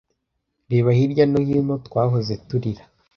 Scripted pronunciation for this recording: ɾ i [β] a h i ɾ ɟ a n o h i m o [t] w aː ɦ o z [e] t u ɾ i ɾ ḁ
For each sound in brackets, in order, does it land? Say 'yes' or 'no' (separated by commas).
yes, yes, yes